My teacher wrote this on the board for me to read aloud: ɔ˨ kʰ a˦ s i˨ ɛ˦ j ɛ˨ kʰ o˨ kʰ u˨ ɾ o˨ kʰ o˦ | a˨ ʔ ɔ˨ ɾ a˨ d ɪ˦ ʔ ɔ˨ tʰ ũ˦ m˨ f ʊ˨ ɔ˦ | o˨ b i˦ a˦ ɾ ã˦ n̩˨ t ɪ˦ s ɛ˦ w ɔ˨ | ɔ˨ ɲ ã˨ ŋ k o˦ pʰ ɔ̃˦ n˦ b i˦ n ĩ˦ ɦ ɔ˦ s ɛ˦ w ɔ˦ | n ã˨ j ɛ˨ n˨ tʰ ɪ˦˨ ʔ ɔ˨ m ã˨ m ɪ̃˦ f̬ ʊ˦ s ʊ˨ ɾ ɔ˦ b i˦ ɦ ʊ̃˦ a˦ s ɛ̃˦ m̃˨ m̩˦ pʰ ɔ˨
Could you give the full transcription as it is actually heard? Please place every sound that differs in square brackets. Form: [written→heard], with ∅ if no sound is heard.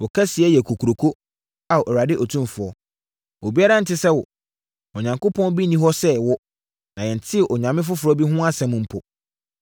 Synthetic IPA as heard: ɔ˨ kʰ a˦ s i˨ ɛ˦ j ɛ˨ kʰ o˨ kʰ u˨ ɾ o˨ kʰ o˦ | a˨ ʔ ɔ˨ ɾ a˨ d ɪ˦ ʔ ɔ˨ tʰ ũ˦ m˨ f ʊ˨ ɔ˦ | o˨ b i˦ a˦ ɾ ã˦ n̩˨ t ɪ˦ s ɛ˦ w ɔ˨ | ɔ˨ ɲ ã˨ ŋ k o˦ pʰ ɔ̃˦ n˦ b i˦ n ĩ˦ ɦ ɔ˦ s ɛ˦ w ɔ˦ | n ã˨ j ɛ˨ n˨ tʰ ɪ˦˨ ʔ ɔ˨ [m→ɲ] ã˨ m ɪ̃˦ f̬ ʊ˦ [s→f] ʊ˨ ɾ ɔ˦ b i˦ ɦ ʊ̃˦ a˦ s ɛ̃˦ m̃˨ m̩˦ pʰ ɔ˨